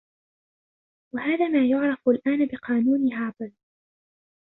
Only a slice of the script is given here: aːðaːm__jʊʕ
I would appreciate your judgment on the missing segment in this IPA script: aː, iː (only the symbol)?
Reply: aː